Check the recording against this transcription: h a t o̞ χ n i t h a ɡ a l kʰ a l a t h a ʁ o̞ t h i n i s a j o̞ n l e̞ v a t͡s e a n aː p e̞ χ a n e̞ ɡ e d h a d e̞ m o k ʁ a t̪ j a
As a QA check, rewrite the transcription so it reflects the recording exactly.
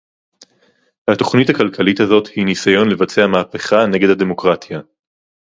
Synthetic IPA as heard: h a t o̞ χ n i t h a k a l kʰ a l i t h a z o̞ t h i n i s a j o̞ n l e̞ v a t͡s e a m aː p e̞ χ a n e̞ ɡ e d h a d e̞ m o k ʁ a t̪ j a